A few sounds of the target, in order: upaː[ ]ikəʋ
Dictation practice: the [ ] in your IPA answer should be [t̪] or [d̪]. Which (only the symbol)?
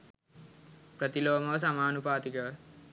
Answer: t̪